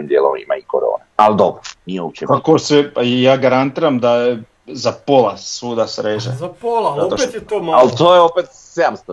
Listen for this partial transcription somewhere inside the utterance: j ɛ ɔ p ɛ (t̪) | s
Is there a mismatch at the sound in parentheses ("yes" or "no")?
no